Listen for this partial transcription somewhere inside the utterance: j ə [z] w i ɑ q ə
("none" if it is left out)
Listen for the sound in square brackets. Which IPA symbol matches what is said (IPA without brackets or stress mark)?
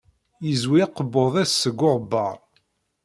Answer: z